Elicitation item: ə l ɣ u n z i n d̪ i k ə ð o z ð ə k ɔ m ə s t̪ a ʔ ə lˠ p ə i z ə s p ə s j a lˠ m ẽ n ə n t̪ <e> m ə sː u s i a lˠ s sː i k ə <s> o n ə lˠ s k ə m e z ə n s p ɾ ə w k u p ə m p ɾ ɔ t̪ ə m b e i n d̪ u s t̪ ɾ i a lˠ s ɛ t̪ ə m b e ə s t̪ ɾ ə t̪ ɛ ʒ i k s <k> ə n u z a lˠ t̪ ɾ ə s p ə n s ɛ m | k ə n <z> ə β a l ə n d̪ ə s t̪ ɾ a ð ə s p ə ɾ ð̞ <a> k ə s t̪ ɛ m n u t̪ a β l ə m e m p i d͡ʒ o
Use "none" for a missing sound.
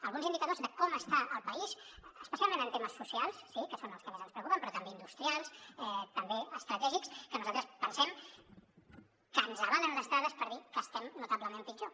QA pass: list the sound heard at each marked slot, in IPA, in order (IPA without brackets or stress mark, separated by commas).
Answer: e, s, k, z, i